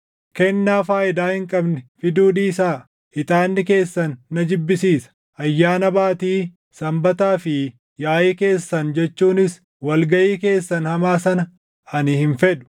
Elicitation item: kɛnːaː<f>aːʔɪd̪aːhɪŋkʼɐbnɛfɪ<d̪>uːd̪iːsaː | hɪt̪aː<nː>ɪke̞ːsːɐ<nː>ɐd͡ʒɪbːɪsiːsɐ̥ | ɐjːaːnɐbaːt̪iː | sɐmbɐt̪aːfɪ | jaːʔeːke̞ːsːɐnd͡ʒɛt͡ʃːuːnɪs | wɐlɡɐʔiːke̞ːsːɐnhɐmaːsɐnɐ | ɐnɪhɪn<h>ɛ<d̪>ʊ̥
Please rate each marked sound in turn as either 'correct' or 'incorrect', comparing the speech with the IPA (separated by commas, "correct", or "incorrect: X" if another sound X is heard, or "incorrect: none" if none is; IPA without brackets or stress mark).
correct, correct, correct, correct, incorrect: f, correct